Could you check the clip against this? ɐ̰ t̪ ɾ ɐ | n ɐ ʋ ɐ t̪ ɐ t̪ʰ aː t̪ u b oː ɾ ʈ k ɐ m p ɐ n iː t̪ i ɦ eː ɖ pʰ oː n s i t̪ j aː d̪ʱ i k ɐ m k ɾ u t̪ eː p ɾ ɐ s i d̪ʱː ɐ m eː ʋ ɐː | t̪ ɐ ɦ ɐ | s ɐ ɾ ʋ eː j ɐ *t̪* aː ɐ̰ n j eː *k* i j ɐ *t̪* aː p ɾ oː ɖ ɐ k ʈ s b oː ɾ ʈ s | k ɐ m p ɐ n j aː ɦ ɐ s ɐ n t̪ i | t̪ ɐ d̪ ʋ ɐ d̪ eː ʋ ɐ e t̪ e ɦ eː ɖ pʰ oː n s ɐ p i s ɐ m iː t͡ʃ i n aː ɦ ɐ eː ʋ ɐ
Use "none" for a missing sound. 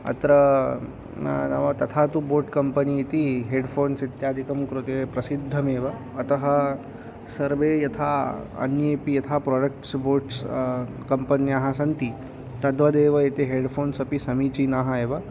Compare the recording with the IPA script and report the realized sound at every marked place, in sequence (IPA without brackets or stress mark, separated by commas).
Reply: t̪ʰ, p, t̪ʰ